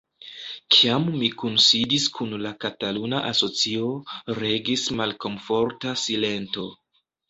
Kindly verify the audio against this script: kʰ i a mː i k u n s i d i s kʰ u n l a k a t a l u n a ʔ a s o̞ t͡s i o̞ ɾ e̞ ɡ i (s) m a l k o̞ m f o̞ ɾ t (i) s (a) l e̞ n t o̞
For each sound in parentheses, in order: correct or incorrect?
correct, incorrect, incorrect

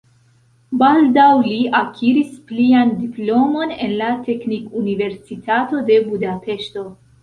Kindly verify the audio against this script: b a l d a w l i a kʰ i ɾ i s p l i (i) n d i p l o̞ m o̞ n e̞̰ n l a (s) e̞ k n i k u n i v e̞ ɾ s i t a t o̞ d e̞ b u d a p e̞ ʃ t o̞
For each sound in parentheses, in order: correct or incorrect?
incorrect, incorrect

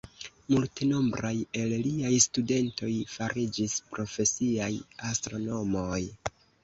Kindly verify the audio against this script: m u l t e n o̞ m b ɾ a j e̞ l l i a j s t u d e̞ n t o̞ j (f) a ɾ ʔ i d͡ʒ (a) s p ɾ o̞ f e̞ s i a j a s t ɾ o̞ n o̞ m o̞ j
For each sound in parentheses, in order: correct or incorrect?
correct, incorrect

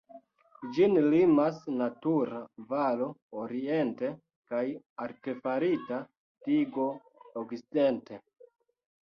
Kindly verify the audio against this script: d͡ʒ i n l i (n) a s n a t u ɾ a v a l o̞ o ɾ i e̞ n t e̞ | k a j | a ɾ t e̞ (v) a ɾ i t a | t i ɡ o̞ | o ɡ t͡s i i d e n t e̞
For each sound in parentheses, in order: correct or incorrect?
incorrect, incorrect

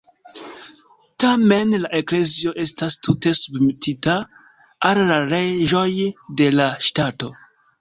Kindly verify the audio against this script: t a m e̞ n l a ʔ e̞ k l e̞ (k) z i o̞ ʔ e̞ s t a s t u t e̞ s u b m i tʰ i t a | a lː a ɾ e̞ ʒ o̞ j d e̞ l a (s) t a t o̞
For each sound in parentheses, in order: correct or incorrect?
incorrect, incorrect

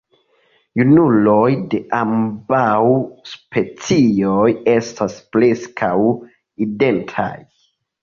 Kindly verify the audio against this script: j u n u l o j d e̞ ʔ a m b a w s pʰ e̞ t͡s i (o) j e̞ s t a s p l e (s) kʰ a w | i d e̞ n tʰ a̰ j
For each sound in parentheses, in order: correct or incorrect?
correct, correct

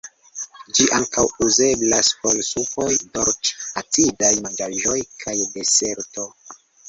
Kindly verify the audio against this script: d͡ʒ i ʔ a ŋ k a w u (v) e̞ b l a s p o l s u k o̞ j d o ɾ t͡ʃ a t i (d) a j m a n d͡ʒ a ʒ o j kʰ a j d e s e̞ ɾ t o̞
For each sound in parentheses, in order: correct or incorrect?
incorrect, correct

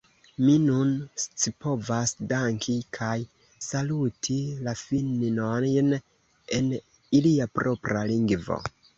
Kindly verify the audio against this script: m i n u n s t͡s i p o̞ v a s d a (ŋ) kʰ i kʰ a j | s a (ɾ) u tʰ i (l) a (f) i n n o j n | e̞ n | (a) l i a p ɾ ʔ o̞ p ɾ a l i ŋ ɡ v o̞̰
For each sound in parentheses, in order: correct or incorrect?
correct, incorrect, correct, correct, incorrect

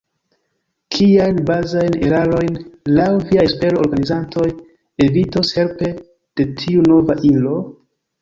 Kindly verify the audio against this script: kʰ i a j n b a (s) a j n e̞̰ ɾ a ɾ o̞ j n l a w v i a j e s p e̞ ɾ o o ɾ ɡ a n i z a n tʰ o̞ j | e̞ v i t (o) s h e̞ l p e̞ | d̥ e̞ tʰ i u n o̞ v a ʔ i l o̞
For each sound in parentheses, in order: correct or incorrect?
incorrect, correct

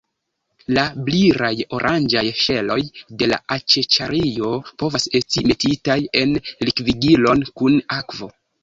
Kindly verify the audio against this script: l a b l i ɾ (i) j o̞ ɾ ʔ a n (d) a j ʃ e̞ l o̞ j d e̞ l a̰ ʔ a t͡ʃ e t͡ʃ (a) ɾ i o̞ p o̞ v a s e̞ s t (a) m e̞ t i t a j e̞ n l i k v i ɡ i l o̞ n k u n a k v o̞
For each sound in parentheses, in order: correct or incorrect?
incorrect, incorrect, correct, incorrect

